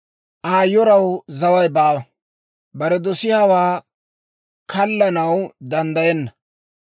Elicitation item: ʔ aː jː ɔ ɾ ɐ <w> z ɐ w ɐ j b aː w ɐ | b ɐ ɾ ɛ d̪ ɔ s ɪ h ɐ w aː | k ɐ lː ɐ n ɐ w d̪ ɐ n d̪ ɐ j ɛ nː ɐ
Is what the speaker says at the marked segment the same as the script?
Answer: yes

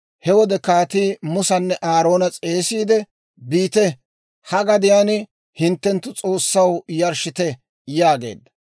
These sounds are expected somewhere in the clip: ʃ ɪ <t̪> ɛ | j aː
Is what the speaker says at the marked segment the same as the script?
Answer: yes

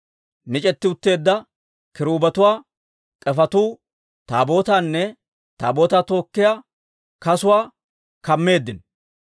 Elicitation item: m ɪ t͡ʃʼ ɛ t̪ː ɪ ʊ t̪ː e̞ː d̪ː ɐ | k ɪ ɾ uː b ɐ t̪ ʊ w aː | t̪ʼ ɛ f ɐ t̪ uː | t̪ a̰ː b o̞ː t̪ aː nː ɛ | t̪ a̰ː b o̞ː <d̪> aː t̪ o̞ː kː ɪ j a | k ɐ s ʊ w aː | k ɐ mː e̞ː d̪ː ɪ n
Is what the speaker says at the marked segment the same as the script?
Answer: no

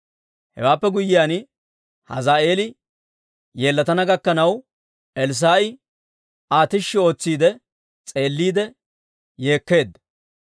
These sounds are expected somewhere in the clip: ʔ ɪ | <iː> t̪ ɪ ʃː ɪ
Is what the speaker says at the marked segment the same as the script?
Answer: no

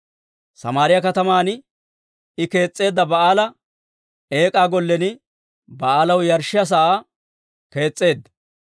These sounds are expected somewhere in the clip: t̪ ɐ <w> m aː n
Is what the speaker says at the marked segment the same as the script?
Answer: no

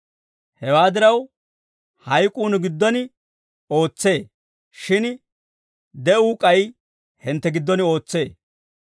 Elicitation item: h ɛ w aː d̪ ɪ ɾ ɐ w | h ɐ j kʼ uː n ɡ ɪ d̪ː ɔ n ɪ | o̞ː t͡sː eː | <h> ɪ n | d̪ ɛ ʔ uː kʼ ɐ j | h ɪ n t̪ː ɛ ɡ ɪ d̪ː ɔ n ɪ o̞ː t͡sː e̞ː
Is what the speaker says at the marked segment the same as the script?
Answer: no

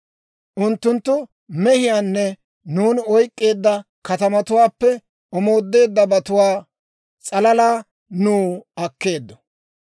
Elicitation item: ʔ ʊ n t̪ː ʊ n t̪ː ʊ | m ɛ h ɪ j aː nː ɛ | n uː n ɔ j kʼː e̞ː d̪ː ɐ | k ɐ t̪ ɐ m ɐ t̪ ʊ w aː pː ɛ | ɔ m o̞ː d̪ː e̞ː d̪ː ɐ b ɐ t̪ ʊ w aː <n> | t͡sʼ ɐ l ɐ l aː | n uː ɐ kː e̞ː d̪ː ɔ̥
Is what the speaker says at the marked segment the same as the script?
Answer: no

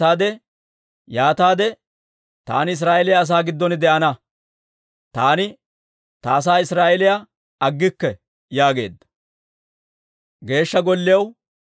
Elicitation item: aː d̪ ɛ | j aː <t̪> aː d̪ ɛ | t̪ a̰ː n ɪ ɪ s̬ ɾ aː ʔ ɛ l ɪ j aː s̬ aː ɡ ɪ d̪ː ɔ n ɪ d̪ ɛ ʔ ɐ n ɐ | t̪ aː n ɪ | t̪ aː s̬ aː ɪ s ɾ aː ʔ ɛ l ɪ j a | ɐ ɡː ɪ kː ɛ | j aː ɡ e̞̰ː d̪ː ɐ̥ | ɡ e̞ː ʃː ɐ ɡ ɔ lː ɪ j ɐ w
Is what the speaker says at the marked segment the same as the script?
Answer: yes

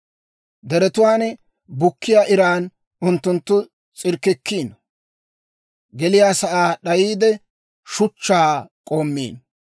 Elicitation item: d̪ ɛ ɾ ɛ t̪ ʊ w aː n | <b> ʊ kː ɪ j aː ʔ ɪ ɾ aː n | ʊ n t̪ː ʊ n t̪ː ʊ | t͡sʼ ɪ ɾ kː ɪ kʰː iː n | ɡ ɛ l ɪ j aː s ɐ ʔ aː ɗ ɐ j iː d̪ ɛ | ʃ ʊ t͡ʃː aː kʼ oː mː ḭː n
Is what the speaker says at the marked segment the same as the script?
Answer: yes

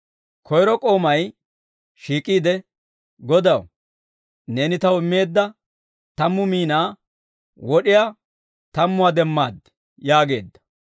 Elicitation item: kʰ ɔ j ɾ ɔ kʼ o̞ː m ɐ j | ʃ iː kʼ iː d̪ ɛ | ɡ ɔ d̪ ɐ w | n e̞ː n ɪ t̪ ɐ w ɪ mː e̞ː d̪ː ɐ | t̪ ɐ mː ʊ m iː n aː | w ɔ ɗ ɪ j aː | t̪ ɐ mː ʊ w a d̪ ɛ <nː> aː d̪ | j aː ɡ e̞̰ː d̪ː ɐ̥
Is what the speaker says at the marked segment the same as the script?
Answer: no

